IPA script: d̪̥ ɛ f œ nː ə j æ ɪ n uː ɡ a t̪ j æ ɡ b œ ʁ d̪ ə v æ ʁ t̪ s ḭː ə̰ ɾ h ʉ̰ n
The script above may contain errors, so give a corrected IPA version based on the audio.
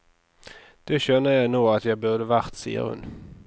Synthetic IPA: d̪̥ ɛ ɕ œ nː ə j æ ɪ n uː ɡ a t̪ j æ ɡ b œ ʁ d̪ ə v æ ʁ t̪ s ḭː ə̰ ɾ h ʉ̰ n